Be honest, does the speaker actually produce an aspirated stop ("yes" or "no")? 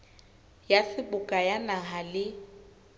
no